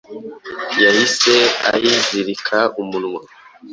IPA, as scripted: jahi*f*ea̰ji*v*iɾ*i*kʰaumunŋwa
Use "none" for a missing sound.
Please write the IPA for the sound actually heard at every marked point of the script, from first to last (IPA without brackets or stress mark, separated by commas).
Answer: s, z, i